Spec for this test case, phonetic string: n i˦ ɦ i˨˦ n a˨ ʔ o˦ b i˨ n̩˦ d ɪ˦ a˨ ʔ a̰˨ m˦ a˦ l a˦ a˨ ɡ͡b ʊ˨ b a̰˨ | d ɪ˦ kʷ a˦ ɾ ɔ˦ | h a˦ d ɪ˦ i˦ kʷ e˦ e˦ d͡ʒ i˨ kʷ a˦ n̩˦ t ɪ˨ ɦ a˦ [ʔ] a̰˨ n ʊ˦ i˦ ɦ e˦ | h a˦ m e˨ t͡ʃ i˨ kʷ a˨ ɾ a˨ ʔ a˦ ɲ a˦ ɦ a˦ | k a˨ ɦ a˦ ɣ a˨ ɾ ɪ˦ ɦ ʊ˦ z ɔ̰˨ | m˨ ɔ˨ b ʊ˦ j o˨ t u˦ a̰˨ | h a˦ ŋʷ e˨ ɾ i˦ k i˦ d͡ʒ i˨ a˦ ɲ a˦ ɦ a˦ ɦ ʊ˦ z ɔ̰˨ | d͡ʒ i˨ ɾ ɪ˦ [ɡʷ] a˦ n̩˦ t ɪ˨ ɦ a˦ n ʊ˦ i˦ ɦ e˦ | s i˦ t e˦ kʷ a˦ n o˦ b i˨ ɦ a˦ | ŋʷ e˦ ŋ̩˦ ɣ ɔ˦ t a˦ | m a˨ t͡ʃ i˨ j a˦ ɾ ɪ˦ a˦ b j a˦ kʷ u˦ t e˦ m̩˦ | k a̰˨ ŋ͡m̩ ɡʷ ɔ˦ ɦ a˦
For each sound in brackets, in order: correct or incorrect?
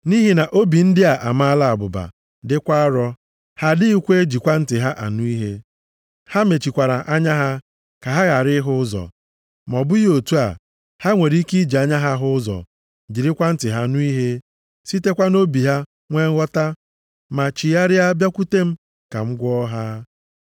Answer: correct, incorrect: kʷ

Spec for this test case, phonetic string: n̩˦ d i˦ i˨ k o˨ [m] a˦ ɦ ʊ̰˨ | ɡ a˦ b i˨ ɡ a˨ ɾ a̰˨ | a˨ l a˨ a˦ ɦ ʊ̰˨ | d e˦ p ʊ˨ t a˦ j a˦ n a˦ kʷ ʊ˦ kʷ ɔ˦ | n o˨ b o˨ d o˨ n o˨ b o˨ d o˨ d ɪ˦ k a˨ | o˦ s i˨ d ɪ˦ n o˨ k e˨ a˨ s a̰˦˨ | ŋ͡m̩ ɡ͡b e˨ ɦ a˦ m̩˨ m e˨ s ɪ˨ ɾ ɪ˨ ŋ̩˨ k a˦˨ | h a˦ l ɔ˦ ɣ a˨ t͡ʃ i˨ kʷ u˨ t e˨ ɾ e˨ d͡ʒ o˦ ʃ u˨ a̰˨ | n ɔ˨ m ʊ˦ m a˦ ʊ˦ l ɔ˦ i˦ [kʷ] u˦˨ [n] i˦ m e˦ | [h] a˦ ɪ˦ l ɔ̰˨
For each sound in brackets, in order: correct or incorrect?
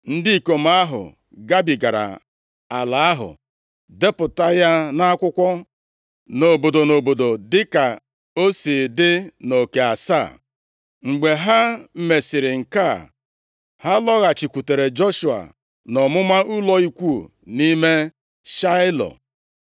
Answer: correct, correct, correct, incorrect: ʃ

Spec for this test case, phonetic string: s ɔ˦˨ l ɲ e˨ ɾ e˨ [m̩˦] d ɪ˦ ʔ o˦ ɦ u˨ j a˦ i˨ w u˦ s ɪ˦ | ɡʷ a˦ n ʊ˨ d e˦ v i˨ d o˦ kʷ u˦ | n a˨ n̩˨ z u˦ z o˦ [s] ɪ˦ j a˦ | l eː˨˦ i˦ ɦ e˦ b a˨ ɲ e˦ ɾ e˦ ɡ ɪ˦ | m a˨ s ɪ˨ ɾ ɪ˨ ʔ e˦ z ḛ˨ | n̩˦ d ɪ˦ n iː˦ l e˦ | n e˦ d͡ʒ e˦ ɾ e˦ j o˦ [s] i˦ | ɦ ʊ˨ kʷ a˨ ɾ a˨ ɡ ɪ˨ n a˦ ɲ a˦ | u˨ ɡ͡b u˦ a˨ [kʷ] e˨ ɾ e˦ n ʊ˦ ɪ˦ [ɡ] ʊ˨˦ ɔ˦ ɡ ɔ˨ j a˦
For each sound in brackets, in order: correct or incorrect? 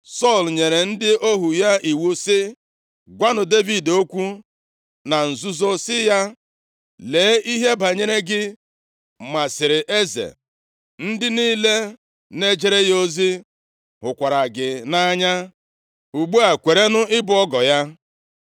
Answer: incorrect: n̩˦, correct, incorrect: z, correct, incorrect: b

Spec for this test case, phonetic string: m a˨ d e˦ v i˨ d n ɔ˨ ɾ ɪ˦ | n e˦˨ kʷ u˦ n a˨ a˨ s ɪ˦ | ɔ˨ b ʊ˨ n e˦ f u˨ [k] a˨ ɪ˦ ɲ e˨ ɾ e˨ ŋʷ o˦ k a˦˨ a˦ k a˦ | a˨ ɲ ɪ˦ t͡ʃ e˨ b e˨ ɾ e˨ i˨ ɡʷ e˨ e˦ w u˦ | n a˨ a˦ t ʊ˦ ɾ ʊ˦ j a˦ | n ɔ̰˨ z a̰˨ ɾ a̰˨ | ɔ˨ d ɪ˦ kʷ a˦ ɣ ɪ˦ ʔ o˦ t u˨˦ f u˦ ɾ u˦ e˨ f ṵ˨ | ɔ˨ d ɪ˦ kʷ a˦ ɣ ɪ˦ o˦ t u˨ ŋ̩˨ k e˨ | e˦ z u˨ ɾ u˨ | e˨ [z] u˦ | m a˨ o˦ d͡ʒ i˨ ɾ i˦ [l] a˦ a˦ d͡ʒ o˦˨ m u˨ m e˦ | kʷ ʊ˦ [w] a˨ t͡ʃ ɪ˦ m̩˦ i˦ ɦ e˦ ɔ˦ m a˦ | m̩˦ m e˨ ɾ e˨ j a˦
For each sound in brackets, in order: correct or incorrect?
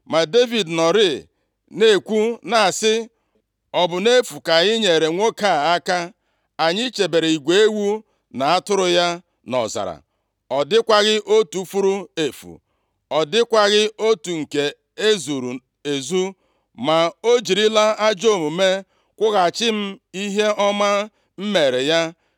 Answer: correct, correct, correct, incorrect: ɣ

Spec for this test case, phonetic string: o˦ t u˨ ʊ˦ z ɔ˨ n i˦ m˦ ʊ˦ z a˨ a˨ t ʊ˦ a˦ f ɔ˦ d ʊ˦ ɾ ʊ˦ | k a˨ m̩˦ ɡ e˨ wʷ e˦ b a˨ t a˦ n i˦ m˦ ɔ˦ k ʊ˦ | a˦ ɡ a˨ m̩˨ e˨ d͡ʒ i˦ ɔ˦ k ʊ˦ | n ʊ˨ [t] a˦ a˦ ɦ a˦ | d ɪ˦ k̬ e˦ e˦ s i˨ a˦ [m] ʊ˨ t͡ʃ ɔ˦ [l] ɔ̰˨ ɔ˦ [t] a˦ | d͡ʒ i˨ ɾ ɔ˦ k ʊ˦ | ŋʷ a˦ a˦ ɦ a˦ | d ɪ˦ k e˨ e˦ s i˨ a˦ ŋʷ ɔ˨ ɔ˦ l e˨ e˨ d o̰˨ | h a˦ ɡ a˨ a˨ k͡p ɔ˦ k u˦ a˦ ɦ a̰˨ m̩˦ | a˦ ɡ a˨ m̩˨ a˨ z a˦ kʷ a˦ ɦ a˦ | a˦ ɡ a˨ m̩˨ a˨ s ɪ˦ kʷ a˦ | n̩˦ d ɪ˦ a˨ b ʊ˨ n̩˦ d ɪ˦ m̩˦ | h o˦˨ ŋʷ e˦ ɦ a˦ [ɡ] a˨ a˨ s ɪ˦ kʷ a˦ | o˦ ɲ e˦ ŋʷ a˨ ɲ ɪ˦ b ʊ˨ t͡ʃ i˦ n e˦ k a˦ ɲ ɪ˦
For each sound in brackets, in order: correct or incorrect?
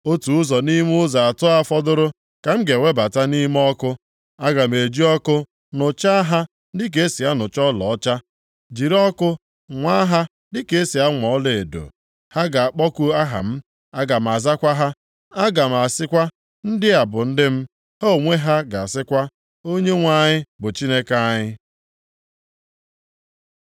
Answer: incorrect: t͡ʃ, incorrect: n, correct, incorrect: t͡ʃ, correct

